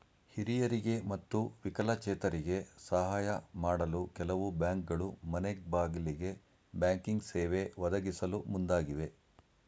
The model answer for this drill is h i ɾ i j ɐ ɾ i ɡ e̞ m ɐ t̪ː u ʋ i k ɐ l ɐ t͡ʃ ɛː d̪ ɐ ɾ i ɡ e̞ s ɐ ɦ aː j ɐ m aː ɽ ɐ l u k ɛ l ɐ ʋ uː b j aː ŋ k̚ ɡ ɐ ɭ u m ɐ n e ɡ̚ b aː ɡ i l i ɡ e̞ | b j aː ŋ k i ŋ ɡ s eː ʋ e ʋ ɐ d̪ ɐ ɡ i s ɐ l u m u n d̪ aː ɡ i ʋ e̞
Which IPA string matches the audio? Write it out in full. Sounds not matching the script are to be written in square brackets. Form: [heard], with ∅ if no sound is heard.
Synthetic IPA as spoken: h i ɾ i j ɐ ɾ i ɡ e̞ m ɐ t̪ː u ʋ i k ɐ l ɐ t͡ʃ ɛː [t̪] ɐ ɾ i ɡ e̞ s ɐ ɦ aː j ɐ m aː ɽ ɐ l u k ɛ l ɐ ʋ [u] b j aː ŋ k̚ ɡ ɐ ɭ u m ɐ n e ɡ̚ b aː ɡ i l i ɡ e̞ | b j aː ŋ k i ŋ ɡ s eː ʋ e ʋ ɐ d̪ ɐ ɡ i s ɐ l u m u n d̪ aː ɡ i ʋ e̞